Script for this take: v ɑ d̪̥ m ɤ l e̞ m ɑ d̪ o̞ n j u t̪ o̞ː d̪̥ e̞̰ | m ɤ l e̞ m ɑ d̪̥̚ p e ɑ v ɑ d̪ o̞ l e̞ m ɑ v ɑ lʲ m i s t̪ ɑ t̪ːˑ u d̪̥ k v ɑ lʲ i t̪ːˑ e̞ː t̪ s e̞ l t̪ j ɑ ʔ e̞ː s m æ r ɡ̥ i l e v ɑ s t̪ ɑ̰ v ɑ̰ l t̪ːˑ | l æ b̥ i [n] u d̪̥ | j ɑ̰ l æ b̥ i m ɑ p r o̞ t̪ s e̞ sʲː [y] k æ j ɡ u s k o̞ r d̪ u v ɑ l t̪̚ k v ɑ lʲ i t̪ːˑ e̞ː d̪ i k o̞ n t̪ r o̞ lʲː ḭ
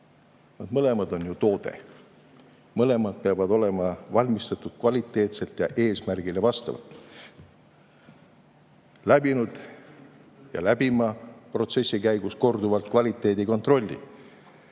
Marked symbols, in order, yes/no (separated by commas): yes, no